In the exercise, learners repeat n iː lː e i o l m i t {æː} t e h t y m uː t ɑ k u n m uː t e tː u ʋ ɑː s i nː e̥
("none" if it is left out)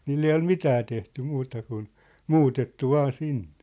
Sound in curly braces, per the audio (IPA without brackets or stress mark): æː